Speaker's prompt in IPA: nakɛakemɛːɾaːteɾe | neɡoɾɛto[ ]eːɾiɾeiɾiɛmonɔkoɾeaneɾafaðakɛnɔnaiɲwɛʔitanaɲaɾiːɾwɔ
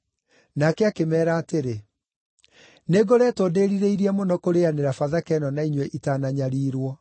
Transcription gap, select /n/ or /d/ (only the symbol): d